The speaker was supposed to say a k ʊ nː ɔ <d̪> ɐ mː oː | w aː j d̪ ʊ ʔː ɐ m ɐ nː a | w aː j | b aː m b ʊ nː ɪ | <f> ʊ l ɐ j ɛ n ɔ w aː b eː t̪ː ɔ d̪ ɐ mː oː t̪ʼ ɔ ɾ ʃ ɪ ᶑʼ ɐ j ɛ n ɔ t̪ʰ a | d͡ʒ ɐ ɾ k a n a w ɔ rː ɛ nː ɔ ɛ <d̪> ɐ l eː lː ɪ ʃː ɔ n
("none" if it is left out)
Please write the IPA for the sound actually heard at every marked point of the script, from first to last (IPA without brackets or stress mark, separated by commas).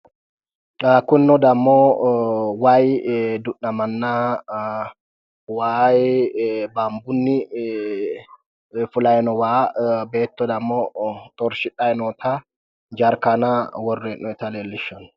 d̪, f, t̪